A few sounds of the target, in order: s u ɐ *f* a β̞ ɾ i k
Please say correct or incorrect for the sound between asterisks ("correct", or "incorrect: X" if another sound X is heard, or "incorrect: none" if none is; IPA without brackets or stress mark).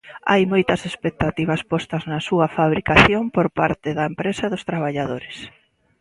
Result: correct